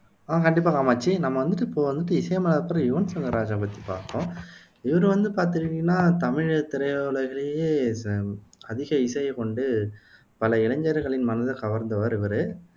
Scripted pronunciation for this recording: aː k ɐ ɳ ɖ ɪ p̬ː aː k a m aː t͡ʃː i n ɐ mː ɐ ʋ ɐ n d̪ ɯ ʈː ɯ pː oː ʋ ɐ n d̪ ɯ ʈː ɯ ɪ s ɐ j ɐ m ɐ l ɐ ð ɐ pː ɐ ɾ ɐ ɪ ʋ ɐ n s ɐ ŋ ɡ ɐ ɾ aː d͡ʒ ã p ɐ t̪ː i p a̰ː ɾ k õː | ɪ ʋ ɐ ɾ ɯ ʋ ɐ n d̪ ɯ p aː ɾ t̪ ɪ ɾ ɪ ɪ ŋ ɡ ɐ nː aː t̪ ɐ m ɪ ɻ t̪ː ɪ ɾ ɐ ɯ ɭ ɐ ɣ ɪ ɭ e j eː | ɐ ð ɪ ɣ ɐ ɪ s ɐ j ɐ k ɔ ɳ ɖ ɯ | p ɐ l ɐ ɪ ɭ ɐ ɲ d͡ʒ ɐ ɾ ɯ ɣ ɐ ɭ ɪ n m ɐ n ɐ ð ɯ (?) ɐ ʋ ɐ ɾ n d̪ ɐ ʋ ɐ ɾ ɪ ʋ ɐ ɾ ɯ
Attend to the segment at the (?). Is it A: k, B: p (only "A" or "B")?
A